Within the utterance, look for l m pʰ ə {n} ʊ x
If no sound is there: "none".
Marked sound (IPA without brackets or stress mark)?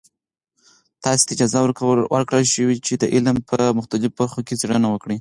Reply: m